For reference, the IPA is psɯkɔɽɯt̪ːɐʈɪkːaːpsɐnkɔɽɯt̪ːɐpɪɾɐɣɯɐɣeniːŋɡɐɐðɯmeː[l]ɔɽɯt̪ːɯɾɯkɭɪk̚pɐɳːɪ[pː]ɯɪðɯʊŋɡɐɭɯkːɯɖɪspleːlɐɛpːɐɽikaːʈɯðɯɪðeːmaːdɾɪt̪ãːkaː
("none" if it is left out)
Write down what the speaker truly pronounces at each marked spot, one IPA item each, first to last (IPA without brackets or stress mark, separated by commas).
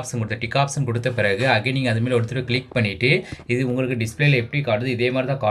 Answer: l, ʈː